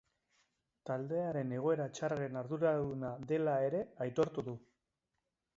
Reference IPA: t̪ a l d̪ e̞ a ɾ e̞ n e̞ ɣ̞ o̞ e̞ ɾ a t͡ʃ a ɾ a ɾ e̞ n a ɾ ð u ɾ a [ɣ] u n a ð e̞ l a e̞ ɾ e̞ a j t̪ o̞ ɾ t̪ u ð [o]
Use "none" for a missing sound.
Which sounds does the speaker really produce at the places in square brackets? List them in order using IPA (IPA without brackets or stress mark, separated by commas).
ð, u